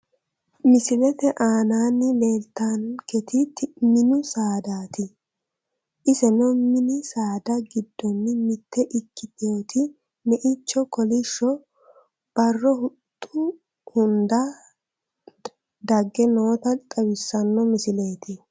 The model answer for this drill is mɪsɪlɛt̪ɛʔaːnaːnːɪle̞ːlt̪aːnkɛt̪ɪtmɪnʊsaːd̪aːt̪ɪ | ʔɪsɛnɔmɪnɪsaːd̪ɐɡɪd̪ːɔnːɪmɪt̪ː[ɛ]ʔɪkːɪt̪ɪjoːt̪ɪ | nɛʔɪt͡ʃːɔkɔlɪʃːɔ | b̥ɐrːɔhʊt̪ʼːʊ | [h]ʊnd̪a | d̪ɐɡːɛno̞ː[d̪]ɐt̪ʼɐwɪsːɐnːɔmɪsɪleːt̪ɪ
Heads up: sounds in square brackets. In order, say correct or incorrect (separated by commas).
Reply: correct, correct, incorrect